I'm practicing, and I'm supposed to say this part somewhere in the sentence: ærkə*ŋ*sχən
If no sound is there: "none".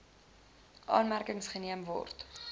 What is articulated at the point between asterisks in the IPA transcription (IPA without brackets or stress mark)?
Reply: ŋ